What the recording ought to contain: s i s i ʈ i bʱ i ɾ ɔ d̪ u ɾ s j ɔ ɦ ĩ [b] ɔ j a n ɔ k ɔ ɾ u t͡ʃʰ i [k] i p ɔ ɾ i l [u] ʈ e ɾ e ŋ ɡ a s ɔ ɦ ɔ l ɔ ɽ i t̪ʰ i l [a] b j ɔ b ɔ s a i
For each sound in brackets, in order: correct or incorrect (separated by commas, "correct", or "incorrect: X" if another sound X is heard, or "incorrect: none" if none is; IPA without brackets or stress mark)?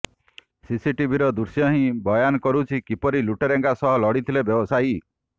correct, correct, correct, incorrect: e